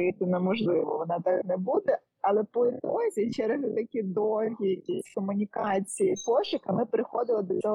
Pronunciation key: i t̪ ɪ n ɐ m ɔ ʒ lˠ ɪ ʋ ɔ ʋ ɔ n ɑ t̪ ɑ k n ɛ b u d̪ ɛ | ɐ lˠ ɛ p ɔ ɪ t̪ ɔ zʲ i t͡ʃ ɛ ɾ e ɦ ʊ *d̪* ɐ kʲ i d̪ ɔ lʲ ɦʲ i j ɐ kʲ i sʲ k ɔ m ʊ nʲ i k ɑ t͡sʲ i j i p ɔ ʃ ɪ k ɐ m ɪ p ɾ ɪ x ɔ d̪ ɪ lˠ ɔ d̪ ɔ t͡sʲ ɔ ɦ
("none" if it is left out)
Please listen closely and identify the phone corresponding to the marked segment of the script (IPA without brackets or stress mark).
t̪